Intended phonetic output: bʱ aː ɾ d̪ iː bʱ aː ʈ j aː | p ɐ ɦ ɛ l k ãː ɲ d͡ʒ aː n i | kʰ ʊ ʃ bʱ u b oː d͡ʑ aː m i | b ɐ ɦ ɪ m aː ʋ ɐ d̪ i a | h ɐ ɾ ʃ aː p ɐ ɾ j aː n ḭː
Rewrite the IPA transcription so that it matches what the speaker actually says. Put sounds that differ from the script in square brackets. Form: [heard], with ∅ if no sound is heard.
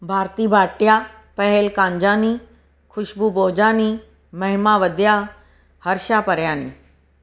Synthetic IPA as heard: bʱ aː ɾ [t̪] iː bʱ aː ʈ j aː | p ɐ ɦ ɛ l k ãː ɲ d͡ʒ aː n i | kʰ ʊ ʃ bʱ u b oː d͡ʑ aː [n] i | [m] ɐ ɦ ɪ m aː ʋ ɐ d̪ [j] a | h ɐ ɾ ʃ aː p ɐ ɾ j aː n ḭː